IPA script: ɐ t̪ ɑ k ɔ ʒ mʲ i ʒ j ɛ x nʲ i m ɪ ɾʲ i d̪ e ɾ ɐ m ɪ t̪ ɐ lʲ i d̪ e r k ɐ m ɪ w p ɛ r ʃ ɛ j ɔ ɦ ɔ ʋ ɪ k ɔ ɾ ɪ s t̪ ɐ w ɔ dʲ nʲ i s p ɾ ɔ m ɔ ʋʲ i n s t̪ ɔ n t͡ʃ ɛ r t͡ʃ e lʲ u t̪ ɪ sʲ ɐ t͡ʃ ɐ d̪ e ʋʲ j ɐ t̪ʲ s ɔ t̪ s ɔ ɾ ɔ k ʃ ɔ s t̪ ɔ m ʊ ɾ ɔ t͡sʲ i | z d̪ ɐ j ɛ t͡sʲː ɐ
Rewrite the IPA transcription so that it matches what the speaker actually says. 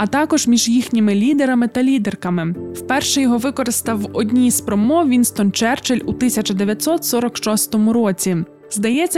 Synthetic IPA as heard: ɐ t̪ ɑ k ɔ ʒ mʲ i ʒ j i x nʲ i m ɪ lʲ i d̪ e ɾ ɐ m ɪ t̪ ɐ lʲ i d̪ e r k ɐ m ɪ w p ɛ r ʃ ɛ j ɔ ɦ ɔ ʋ ɪ k ɔ ɾ ɪ s t̪ ɐ w ɔ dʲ nʲ i s p ɾ ɔ m ɔ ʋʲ i n s t̪ ɔ n t͡ʃ ɛ r t͡ʃ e lʲ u t̪ ɪ sʲ ɐ t͡ʃ ɐ d̪ e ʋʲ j ɐ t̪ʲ s ɔ t̪ s ɔ ɾ ɔ k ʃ ɔ s t̪ ɔ m ʊ ɾ ɔ t͡sʲ i | z d̪ ɐ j ɛ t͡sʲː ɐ